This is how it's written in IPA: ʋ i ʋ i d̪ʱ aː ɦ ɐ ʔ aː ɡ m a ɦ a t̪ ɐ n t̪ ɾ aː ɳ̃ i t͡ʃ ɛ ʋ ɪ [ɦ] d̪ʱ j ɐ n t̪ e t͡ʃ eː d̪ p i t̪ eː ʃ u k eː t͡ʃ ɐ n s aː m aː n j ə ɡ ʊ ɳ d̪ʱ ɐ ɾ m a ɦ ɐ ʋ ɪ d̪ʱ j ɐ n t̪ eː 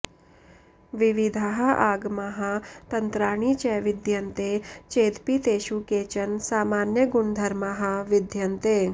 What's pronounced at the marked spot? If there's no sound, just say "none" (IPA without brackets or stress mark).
none